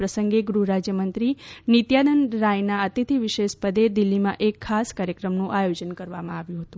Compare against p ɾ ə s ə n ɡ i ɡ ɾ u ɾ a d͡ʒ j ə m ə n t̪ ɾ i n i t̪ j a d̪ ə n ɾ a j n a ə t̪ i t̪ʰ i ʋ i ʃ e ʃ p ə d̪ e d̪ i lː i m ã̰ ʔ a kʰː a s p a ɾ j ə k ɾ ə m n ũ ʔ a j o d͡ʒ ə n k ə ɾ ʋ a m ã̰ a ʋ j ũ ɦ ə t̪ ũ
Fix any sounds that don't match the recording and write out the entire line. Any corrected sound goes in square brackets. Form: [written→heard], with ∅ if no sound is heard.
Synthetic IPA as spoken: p ɾ ə s ə [n→ŋ] ɡ [i→e] ɡ ɾ u ɾ a d͡ʒ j ə m ə n t̪ ɾ i n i t̪ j a d̪ ə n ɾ a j n a ə t̪ i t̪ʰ i ʋ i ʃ e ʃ p ə d̪ e d̪ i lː i m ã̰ ʔ [a→e] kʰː a s [p→k] a ɾ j ə k ɾ ə m n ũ ʔ a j o d͡ʒ ə n k ə ɾ ʋ a m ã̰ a ʋ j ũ ɦ ə t̪ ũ